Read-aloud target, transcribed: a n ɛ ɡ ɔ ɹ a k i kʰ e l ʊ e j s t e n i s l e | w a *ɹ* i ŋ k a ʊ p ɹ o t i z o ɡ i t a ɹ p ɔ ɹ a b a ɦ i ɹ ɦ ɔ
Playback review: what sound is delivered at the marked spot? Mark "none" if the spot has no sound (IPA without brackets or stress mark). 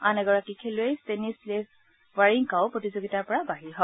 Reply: ɹ